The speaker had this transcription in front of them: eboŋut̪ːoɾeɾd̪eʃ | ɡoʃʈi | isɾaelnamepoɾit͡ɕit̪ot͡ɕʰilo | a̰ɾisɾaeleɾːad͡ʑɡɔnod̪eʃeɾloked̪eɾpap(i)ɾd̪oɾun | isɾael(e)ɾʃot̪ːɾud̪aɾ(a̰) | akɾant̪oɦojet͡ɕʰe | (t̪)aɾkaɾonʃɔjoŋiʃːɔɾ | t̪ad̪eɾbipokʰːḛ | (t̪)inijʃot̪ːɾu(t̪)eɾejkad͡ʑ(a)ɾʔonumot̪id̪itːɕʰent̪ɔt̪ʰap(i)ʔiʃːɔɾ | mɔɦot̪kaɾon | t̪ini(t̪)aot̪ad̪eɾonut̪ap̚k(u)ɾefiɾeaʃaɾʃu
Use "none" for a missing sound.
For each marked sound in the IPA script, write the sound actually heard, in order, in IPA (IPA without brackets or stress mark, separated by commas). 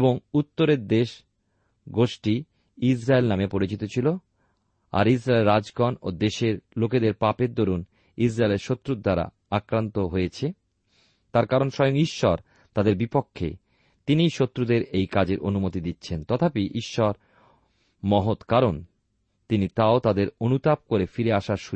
e, e, a̰, t̪, t̪, d̪, e, i, t̪, o